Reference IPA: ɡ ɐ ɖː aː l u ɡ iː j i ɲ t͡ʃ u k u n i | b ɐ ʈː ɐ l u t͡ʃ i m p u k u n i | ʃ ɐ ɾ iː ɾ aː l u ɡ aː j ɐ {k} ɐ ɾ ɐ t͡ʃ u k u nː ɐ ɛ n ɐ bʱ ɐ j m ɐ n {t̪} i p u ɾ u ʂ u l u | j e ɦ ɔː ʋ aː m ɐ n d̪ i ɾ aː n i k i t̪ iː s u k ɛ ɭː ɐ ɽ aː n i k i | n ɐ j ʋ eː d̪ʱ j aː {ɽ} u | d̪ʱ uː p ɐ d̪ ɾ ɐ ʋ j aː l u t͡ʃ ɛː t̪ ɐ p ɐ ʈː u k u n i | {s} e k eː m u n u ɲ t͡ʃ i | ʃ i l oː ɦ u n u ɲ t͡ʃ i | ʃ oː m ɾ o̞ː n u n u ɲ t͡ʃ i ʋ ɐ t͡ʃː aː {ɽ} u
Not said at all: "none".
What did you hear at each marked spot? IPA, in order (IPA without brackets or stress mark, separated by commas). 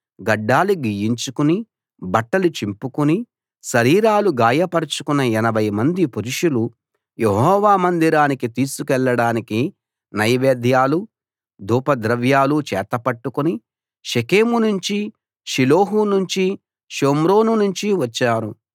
p, d̪, l, ʃ, ɾ